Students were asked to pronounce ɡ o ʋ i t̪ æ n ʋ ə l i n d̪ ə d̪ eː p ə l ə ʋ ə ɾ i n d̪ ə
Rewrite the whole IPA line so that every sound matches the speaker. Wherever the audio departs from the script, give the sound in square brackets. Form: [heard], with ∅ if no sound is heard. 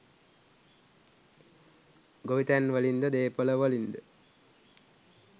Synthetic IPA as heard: ɡ o ʋ i t̪ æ n ʋ ə l i n d̪ ə d̪ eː p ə l ə ʋ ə [l] i n d̪ ə